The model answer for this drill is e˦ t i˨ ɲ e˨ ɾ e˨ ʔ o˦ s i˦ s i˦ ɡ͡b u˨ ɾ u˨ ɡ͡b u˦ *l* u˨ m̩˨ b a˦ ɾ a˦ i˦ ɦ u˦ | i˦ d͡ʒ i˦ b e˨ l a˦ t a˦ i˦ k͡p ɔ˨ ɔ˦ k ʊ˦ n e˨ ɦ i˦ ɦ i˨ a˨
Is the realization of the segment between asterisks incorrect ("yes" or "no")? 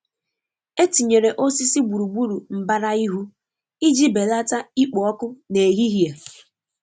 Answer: yes